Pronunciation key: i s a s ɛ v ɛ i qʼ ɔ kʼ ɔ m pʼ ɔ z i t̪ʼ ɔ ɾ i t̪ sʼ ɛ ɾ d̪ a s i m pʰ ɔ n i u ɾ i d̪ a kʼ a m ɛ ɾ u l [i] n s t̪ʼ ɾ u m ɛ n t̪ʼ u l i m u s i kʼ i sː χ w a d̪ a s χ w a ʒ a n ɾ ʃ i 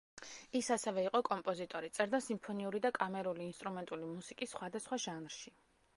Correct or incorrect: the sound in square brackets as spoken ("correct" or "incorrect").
incorrect